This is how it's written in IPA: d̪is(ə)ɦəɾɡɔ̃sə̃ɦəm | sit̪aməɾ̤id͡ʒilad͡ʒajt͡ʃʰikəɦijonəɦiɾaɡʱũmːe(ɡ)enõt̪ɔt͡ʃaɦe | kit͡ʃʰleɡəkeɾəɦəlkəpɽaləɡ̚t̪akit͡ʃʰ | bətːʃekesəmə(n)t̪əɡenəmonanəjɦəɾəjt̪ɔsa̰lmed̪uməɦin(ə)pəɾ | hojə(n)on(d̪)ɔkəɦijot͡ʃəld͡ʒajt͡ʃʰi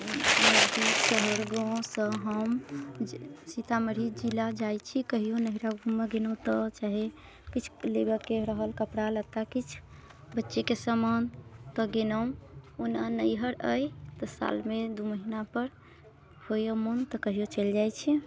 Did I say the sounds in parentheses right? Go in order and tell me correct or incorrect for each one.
correct, correct, correct, incorrect: a, incorrect: m, incorrect: t̪

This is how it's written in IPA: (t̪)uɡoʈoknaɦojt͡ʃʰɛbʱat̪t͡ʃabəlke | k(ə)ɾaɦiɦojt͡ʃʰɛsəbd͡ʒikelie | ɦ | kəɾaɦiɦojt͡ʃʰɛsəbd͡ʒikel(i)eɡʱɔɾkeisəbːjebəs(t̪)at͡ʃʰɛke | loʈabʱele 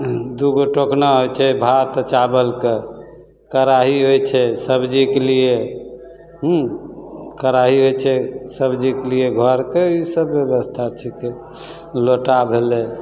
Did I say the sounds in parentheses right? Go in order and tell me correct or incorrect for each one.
incorrect: d̪, correct, correct, incorrect: t̪ʰ

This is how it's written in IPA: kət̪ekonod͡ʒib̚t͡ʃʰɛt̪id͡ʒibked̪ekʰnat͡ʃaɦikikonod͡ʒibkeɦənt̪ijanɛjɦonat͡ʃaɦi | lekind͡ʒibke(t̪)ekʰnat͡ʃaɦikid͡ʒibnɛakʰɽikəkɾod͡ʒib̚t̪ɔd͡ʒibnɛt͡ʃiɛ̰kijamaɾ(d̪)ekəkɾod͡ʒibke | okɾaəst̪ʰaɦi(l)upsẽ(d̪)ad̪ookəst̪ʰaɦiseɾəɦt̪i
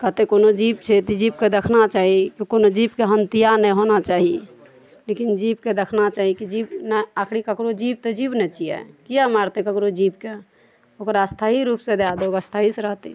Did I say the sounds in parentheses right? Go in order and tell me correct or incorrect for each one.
incorrect: d̪, incorrect: t̪, incorrect: ɾ, correct

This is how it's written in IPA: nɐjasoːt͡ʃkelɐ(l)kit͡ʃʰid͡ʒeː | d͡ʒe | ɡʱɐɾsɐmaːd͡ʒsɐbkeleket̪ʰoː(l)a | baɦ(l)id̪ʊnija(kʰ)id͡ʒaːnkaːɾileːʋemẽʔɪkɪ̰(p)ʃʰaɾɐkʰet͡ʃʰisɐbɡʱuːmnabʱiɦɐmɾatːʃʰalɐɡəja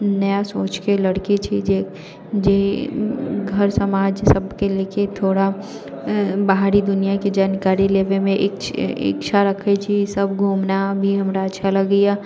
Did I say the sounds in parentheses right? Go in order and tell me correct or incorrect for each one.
incorrect: ɽ, incorrect: ɽ, incorrect: ɾ, incorrect: k, incorrect: k

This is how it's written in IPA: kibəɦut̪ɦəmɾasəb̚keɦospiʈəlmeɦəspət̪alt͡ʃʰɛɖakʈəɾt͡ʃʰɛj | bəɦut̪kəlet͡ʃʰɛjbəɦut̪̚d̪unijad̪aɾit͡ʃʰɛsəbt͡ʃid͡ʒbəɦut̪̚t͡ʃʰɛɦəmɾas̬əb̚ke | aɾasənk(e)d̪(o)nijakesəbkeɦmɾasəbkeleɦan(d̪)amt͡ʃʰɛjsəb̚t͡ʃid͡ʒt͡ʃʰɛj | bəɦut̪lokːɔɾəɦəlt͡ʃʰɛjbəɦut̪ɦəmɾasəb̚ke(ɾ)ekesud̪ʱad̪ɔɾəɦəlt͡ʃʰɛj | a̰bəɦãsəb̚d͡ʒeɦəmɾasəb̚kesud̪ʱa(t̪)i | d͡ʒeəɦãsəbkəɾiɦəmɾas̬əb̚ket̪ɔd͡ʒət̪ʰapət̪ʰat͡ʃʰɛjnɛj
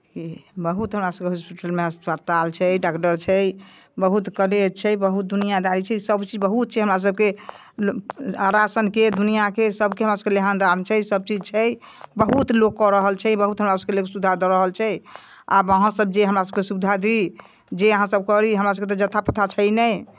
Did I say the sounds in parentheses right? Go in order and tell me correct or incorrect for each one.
correct, incorrect: u, correct, incorrect: l, incorrect: d̪

